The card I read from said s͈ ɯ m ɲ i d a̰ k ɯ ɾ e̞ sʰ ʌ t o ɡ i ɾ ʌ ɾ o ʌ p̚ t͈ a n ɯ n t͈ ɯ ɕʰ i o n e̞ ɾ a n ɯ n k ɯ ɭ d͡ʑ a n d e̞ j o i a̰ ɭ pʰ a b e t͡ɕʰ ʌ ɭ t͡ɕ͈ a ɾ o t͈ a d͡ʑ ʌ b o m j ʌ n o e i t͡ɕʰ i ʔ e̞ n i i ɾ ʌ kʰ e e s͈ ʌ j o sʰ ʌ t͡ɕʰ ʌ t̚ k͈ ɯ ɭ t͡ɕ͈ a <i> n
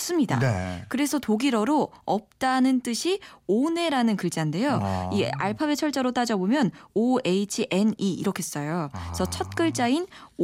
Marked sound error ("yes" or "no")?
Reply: no